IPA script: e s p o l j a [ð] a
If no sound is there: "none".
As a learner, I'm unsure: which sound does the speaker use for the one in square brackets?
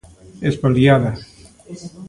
ð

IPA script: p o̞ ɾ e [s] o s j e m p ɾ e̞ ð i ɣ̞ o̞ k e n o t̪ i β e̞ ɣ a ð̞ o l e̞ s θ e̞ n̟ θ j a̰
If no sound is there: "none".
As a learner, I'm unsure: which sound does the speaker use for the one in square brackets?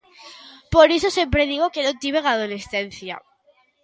s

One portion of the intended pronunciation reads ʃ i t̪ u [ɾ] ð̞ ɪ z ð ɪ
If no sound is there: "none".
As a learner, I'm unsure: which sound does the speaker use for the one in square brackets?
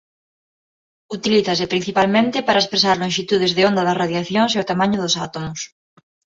none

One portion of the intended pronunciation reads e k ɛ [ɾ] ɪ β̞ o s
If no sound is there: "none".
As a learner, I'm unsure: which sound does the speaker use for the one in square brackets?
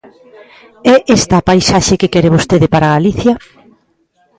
ɾ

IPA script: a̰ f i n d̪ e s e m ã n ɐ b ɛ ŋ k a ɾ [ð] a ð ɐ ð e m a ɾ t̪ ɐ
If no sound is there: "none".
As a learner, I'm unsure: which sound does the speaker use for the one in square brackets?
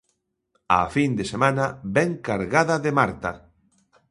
ɣ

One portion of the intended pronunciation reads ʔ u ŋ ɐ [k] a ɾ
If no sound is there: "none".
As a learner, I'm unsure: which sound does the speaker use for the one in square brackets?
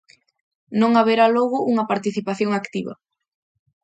p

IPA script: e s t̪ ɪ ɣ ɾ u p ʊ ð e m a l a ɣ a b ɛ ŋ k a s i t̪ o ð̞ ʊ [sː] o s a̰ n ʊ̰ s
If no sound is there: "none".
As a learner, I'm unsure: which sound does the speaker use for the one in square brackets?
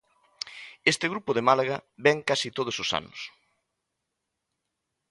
s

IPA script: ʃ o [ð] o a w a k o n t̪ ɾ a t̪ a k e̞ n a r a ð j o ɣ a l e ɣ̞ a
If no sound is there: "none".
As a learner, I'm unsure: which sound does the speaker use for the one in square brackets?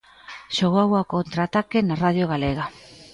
ɣ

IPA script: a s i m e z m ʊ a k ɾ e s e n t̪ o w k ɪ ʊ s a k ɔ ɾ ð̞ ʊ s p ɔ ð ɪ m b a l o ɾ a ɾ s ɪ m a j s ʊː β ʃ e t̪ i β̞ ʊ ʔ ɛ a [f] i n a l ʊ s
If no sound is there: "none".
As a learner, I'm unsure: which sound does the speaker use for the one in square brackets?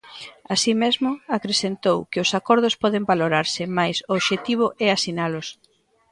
s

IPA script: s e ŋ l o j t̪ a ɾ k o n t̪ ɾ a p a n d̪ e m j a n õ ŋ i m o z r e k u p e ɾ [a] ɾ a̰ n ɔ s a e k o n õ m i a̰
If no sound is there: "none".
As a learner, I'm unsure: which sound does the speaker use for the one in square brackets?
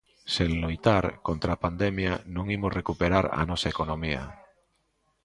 a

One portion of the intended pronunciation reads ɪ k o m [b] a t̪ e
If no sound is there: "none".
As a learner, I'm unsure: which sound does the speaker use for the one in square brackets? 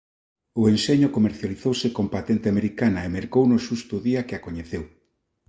p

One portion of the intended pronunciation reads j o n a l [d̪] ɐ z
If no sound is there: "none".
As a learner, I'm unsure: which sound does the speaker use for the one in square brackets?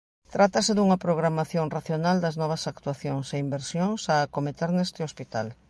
d̪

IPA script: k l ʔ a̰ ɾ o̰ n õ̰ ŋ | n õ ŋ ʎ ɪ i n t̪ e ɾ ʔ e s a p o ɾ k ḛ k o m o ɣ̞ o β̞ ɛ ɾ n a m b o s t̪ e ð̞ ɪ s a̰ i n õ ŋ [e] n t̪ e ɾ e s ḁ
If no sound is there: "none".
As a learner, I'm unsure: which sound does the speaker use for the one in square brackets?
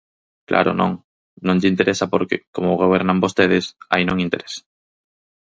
i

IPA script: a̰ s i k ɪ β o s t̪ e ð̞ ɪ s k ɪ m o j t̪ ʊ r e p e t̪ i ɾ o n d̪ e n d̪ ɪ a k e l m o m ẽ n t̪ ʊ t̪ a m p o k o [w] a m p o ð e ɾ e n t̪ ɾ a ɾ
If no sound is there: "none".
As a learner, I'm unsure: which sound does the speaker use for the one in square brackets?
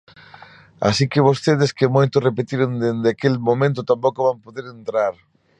β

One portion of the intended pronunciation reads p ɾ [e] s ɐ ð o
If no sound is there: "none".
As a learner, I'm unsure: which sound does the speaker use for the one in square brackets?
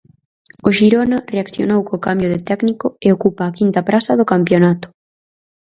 a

